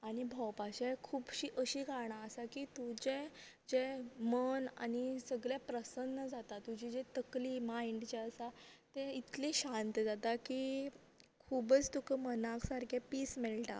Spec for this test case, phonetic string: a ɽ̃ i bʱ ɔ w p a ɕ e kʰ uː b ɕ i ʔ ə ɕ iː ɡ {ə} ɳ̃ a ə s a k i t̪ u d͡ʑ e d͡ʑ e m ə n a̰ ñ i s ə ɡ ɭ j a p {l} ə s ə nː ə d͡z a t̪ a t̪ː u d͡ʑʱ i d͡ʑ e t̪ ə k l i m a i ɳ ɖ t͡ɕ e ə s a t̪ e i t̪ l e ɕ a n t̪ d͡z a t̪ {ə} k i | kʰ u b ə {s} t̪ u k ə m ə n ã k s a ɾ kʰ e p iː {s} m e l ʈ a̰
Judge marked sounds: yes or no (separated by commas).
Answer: no, no, no, no, yes